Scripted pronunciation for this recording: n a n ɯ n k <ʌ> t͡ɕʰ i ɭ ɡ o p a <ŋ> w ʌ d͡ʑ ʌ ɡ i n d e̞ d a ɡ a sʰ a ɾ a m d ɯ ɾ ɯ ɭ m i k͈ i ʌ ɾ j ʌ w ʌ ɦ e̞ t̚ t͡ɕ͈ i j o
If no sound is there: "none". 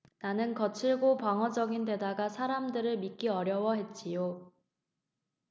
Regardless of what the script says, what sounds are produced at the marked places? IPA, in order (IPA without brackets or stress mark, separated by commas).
ʌ, ŋ